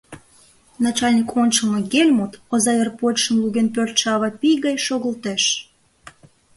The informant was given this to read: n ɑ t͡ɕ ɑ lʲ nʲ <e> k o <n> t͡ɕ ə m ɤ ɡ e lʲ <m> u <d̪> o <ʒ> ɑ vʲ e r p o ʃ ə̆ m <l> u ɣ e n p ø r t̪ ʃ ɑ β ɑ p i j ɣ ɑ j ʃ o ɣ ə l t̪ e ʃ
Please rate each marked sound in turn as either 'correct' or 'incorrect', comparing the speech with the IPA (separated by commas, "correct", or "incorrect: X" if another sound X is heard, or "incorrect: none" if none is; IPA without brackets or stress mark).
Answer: incorrect: i, correct, correct, incorrect: t̪, incorrect: z, correct